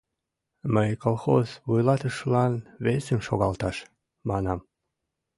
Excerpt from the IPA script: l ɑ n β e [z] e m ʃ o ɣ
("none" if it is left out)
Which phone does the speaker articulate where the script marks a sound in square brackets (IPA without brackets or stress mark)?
s